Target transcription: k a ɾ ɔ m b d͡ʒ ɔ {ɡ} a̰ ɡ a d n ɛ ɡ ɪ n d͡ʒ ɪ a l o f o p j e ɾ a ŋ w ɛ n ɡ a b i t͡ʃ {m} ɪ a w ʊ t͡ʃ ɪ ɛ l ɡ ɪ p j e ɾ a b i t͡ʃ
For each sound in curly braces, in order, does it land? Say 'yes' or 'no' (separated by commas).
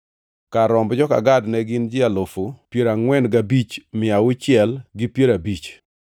no, yes